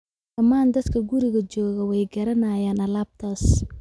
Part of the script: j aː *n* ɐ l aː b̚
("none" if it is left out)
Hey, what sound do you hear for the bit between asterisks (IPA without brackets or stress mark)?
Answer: n